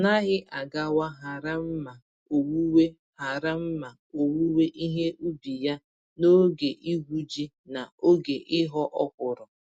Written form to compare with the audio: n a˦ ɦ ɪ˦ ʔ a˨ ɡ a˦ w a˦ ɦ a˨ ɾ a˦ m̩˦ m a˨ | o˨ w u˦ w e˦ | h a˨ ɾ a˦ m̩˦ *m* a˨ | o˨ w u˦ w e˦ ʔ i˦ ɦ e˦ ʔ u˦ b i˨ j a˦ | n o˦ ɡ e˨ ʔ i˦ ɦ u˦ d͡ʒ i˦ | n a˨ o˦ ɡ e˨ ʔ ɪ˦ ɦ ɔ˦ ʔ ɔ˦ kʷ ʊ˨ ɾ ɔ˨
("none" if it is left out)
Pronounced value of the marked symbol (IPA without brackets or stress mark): m